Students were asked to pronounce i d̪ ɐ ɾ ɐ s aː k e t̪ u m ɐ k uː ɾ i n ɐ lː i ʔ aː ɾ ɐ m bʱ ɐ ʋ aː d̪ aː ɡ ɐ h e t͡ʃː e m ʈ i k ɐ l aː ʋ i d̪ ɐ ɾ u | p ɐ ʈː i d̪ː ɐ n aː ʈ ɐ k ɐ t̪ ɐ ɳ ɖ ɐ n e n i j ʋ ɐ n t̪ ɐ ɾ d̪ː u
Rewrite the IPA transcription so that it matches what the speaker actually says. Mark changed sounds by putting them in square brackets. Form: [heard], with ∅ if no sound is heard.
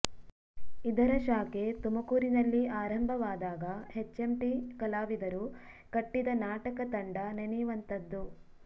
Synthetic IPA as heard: i d̪ ɐ ɾ ɐ [ʃ] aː k e t̪ u m ɐ k uː ɾ i n ɐ lː i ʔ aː ɾ ɐ m bʱ ɐ ʋ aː d̪ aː ɡ ɐ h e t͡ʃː e m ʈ i k ɐ l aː ʋ i d̪ ɐ ɾ u | [k] ɐ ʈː i [d̪] ɐ n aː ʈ ɐ k ɐ t̪ ɐ ɳ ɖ ɐ n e n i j ʋ ɐ n t̪ ɐ [∅] d̪ː u